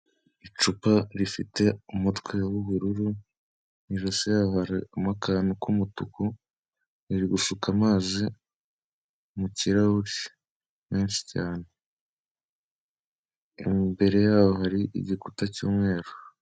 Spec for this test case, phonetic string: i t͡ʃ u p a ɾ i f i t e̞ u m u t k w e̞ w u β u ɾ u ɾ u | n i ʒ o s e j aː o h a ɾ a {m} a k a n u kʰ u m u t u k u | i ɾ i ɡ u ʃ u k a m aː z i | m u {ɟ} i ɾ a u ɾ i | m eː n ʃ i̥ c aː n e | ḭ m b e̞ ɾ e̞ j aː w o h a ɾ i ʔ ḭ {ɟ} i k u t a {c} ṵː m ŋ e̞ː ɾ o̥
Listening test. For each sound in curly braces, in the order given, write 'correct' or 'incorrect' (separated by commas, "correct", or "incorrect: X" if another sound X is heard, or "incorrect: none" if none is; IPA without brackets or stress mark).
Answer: correct, incorrect: c, correct, correct